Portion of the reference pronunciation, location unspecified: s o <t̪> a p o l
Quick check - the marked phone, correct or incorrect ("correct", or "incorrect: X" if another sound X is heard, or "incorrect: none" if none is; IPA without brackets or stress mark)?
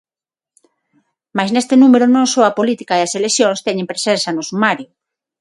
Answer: incorrect: none